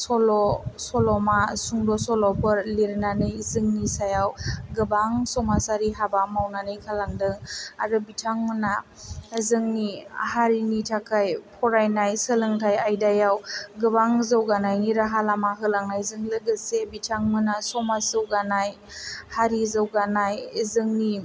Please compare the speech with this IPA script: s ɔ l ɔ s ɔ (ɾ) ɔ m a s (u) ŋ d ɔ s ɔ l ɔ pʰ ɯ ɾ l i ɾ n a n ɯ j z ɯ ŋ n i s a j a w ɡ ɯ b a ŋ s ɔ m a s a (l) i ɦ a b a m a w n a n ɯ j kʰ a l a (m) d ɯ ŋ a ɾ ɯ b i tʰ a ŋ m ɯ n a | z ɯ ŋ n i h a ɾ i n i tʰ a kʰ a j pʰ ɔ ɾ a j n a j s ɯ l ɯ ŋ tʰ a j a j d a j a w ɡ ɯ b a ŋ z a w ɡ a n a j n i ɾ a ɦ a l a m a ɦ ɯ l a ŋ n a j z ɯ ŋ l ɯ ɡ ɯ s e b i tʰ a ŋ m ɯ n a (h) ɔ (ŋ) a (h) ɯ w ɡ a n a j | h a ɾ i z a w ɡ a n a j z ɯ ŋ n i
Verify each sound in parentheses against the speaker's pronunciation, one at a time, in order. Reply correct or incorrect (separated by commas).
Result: incorrect, correct, incorrect, incorrect, incorrect, incorrect, incorrect